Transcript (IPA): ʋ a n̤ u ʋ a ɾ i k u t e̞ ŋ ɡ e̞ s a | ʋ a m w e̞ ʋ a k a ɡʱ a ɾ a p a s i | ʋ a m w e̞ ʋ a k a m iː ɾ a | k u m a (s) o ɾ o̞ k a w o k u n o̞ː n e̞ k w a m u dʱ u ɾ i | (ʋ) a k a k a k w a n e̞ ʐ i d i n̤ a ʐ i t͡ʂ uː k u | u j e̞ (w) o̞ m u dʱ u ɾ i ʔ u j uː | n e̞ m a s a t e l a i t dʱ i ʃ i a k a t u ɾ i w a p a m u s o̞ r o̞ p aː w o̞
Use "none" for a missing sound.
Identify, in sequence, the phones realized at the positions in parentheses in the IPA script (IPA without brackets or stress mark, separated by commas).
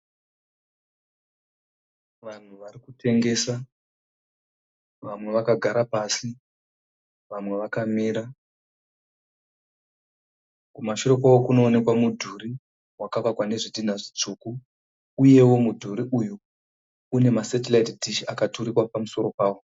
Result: ʃ, w, w